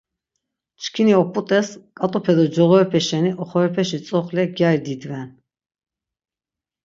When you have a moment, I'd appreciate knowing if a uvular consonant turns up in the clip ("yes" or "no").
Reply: yes